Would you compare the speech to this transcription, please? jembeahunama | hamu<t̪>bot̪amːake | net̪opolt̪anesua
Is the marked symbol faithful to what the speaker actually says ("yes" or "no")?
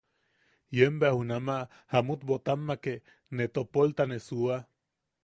yes